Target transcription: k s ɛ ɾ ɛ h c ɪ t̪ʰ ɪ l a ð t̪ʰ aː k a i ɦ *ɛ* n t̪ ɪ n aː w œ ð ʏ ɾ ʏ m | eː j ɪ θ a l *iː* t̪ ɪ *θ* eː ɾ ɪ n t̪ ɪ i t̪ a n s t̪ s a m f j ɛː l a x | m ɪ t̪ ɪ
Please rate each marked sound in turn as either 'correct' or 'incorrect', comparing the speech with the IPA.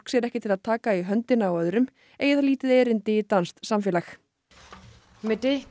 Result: incorrect, correct, incorrect

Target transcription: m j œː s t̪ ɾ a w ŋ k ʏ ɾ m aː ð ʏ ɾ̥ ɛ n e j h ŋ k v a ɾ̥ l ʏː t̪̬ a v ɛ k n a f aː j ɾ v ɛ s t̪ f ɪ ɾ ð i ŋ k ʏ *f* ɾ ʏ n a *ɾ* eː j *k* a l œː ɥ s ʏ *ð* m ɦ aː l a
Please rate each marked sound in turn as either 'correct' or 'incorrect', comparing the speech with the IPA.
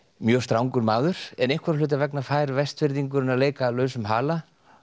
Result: incorrect, incorrect, correct, incorrect

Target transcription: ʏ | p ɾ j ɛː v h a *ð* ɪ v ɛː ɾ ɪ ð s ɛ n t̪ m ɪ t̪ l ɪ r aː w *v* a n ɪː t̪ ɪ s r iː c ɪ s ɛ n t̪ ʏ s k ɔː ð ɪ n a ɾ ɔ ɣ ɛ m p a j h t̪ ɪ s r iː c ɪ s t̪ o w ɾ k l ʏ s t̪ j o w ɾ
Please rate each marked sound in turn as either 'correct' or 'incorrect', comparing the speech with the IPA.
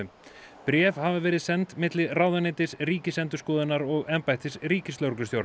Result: incorrect, incorrect

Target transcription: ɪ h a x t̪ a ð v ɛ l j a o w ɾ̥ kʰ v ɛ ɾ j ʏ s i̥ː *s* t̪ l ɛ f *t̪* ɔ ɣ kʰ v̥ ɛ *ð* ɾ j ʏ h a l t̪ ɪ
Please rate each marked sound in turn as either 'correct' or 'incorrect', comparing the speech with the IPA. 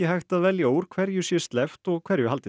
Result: correct, correct, incorrect

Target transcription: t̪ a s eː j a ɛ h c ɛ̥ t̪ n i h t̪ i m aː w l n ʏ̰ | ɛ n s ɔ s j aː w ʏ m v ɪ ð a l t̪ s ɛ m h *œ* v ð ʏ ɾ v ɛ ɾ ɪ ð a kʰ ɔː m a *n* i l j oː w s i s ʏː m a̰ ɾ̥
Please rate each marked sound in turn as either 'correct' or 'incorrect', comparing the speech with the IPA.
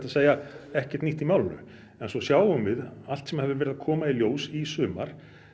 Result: incorrect, incorrect

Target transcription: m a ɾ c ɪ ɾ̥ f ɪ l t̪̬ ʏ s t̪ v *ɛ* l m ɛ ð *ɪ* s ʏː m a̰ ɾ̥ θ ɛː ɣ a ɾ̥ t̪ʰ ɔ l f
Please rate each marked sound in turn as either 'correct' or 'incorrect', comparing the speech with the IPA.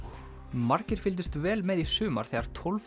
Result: incorrect, incorrect

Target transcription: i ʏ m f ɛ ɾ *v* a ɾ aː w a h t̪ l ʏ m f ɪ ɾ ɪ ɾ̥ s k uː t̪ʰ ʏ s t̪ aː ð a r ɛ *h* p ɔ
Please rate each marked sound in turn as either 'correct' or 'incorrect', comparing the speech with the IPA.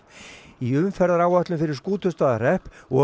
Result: incorrect, correct

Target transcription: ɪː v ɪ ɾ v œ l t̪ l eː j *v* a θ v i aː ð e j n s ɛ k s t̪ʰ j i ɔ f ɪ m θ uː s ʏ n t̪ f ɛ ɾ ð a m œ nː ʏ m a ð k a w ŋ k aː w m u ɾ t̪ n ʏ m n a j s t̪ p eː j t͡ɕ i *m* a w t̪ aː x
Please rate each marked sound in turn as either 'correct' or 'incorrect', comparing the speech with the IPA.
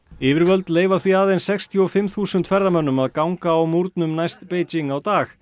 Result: correct, incorrect

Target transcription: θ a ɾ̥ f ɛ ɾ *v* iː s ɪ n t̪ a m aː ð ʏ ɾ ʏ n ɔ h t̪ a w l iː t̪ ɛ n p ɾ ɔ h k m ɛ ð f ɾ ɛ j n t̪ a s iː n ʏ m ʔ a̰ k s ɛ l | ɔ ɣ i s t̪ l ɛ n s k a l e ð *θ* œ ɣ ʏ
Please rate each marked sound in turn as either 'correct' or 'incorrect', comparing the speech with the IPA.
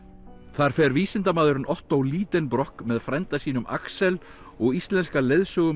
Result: correct, incorrect

